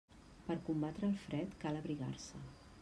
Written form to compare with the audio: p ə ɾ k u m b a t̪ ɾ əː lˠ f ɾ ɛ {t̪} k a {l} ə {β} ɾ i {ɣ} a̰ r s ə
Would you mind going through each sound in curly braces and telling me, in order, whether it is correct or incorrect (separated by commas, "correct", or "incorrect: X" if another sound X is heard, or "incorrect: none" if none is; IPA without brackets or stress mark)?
correct, correct, correct, correct